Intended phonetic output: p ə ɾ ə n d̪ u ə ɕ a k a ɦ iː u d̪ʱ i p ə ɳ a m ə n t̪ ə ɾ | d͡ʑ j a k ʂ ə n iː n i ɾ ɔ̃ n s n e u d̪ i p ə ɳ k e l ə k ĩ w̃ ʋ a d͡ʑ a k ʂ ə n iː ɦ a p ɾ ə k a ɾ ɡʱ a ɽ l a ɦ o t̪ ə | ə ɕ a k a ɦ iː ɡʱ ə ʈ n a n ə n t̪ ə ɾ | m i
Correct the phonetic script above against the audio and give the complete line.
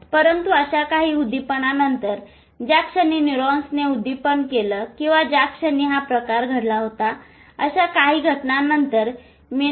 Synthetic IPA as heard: p ə ɾ ə n t̪ u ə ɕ a k a ɦ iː u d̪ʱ i p ə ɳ a n ə n t̪ ə ɾ | d͡ʑ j a k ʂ ə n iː n i ɾ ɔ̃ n s n e u d̪ i p ə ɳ k e l ə k ĩ w̃ ʋ a d͡ʑ a k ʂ ə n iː ɦ a p ɾ ə k a ɾ ɡʱ ə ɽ l a ɦ o t̪ a | ə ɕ a k a ɦ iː ɡʱ ə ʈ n a n ə n t̪ ə ɾ | m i